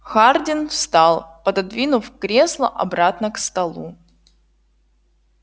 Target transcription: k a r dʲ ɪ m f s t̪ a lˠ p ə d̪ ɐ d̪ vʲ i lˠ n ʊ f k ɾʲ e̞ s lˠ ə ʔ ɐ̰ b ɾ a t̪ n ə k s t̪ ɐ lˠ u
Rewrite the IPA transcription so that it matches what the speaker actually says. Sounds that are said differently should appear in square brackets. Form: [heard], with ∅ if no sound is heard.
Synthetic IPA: [x] a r dʲ ɪ [n] f s t̪ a lˠ p ə d̪ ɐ d̪ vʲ i [∅] n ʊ f k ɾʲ e̞ s lˠ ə ʔ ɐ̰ b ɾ a t̪ n ə k s t̪ ɐ lˠ u